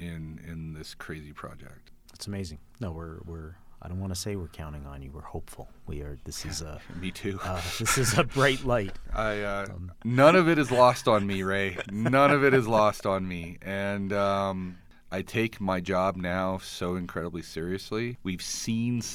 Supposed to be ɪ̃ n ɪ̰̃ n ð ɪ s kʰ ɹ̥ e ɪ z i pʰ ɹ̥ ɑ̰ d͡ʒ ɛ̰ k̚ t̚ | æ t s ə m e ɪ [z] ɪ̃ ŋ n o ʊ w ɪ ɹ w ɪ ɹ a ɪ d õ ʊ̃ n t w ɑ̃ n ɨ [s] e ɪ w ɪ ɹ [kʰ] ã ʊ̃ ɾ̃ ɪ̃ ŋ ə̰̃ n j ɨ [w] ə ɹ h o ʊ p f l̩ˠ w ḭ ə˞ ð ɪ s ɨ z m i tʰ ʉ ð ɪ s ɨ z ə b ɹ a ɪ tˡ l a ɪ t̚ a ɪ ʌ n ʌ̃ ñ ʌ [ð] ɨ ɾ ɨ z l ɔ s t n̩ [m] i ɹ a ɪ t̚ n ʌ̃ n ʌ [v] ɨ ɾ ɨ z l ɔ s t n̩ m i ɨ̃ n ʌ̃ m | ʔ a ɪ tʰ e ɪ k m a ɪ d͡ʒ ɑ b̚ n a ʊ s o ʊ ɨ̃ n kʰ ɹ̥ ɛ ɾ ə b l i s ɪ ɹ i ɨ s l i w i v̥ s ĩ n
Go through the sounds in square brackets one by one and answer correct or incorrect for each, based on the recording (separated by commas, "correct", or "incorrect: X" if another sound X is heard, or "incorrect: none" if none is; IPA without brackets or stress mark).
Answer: correct, correct, correct, correct, incorrect: v, correct, correct